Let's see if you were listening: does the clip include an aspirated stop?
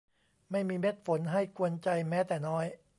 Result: no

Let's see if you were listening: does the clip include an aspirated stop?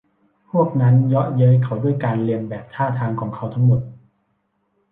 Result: yes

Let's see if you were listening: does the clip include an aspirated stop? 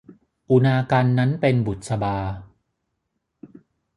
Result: no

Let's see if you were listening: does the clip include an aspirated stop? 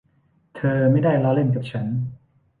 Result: yes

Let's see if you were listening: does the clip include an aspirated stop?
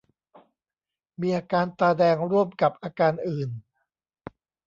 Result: no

